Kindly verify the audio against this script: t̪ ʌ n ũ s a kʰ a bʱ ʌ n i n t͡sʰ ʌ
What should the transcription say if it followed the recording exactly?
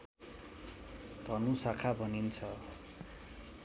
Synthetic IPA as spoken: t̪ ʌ n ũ s a kʰ a bʱ ʌ n i n t͡sʰ ʌ